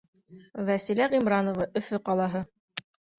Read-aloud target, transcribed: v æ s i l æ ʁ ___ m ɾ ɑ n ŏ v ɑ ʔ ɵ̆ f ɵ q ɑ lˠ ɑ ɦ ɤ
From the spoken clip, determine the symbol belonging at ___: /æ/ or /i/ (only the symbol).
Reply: i